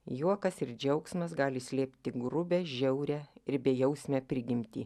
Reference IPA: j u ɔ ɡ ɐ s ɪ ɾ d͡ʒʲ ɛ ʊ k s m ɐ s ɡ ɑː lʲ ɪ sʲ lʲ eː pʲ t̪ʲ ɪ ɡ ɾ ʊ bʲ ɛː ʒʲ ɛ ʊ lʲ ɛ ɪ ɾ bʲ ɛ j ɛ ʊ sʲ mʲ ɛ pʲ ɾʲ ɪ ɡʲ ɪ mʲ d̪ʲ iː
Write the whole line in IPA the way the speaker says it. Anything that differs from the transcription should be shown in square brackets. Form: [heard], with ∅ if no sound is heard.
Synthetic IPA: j u ɔ [k] ɐ s ɪ ɾ d͡ʒʲ ɛ ʊ k s m ɐ s ɡ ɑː lʲ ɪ sʲ lʲ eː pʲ t̪ʲ ɪ ɡ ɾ ʊ bʲ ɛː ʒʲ ɛ ʊ [ɾʲ] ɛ ɪ ɾ bʲ ɛ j ɛ ʊ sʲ mʲ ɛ pʲ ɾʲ ɪ ɡʲ ɪ mʲ [t̪ʲ] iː